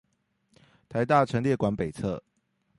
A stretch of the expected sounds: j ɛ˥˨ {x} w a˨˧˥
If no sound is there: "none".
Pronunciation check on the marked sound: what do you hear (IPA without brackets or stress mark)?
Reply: k